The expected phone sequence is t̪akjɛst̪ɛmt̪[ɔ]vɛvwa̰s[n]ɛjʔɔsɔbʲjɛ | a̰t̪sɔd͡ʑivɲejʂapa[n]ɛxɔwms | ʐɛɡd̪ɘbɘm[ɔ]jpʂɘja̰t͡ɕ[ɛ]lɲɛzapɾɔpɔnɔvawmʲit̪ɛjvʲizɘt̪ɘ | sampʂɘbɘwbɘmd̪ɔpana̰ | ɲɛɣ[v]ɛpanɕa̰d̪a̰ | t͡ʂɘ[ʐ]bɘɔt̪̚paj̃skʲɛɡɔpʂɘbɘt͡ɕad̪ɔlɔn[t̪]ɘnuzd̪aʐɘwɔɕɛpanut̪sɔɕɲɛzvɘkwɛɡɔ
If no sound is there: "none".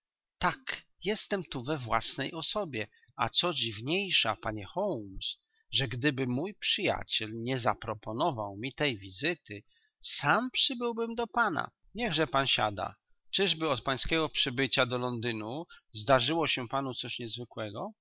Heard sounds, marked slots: u, n, ɲ, u, ɛ, ʐ, ʐ, d̪

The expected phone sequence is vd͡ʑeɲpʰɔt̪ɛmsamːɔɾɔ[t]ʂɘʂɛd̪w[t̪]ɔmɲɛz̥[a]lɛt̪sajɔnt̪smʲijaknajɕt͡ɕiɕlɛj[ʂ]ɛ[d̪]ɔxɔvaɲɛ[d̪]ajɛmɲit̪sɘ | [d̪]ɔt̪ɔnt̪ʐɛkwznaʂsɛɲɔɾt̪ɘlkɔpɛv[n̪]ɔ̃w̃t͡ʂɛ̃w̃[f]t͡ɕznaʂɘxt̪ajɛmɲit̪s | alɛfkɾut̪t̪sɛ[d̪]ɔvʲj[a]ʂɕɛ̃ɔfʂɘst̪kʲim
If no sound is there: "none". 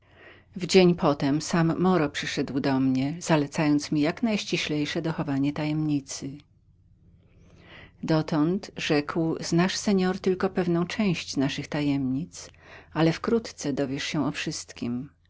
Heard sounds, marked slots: p, d̪, a, ʂ, d̪, t̪, d̪, n̪, ɕ, d̪, ɛ

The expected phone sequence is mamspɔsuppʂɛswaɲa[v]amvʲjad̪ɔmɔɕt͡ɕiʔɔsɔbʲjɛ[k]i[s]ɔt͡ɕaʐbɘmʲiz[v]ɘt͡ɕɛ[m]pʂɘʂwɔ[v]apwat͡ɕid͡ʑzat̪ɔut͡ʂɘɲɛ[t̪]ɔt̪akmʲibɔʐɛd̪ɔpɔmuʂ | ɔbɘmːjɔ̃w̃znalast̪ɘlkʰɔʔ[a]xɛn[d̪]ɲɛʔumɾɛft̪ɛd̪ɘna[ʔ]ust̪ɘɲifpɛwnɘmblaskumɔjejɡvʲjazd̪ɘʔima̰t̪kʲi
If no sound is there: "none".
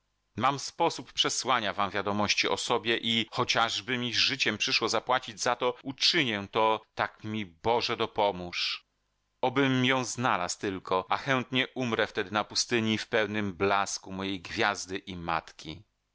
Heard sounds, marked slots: v, ʔ, x, ʐ, m, z, t̪, a, t̪, p

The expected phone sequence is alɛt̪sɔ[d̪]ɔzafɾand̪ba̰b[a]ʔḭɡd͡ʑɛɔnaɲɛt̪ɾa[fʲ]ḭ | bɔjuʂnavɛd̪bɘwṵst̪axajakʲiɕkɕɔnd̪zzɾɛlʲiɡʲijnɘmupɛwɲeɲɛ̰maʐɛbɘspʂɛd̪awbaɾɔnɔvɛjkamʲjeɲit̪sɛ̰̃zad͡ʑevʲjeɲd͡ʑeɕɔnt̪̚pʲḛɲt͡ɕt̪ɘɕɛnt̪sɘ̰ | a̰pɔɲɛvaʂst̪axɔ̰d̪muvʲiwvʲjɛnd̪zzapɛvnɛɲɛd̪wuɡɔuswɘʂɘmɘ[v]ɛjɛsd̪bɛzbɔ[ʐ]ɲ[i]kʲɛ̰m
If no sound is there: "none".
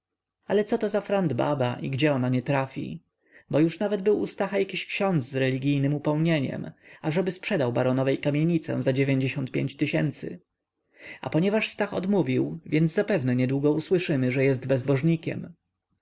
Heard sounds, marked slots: t̪, a, fʲ, ʐ, ʐ, i

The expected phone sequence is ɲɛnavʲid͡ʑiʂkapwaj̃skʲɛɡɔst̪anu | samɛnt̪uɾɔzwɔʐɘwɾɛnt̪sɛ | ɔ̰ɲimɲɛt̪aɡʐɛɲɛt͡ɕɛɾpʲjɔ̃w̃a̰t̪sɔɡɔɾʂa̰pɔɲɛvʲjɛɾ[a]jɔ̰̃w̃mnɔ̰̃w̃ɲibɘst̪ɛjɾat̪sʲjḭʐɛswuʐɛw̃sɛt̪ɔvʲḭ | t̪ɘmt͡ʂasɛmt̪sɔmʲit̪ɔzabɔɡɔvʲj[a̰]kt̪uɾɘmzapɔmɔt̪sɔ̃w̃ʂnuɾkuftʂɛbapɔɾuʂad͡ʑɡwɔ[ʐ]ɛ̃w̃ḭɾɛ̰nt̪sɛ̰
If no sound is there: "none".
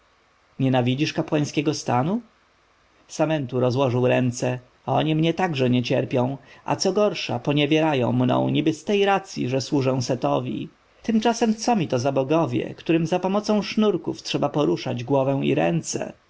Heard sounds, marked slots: a, ɛ̰, v

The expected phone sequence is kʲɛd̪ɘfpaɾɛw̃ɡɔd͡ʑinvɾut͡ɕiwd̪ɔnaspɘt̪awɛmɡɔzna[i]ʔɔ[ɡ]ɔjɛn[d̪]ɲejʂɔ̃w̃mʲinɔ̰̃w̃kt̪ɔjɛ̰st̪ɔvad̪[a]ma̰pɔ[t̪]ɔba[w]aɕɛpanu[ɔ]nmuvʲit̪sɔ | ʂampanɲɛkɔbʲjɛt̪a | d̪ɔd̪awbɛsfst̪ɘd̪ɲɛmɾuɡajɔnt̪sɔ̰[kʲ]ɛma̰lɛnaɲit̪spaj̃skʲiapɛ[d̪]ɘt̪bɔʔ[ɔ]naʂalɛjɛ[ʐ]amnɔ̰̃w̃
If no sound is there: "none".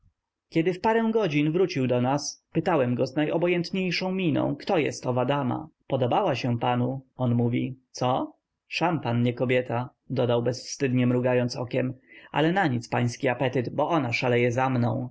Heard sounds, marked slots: j, b, t̪, a, d̪, w, ɔ, kʲ, t̪, ɔ, z

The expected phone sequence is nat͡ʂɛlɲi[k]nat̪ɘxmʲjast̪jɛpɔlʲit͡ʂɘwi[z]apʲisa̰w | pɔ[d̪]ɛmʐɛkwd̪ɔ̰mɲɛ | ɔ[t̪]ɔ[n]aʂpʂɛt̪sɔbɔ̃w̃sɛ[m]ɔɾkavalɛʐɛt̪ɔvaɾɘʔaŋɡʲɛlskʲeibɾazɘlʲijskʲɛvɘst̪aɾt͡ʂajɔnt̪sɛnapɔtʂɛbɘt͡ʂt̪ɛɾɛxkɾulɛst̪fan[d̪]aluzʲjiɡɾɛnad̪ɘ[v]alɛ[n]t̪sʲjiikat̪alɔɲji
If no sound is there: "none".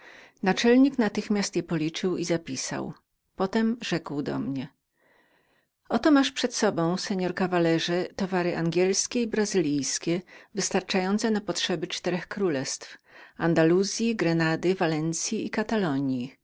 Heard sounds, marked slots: k, z, t̪, t̪, m, ɲ, d̪, v, n

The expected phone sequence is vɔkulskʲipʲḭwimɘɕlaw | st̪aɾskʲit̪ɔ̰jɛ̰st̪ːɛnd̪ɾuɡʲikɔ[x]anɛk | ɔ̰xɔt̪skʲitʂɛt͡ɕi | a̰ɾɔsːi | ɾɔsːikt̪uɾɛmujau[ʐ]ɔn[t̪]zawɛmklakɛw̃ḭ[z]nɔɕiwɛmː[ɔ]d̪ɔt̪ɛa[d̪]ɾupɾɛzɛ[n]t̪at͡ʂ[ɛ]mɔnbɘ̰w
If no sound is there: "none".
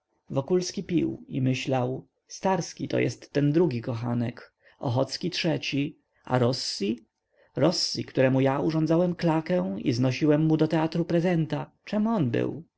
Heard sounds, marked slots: x, ʐ, d̪, z, u, t̪, n, ɛ

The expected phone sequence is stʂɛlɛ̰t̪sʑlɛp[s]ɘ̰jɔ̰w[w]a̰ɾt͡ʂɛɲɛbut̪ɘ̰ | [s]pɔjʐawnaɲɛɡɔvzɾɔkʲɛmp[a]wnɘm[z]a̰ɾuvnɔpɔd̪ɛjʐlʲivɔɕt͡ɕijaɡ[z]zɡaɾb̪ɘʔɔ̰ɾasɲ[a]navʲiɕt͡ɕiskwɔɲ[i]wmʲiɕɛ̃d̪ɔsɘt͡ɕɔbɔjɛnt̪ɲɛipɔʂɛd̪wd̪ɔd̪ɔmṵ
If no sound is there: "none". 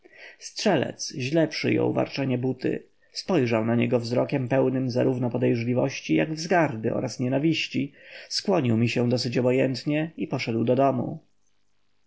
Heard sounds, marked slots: ʂ, v, s, ɛ, z, v, ɛ, i

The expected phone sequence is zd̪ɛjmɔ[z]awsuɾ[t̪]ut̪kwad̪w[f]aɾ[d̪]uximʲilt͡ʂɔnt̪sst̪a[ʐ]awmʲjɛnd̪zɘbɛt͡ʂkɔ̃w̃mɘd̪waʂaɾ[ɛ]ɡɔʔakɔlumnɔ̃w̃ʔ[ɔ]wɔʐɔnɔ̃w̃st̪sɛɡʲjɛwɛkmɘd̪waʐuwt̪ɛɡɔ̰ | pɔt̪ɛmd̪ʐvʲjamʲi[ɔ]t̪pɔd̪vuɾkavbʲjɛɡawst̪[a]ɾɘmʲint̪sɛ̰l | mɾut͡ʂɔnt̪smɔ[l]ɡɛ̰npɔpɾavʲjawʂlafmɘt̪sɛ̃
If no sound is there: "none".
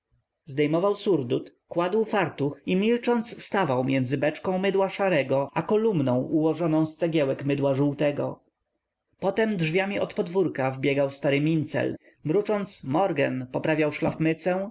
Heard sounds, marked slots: v, d̪, f, t̪, v, ɛ, u, ɔ, a, ɾ

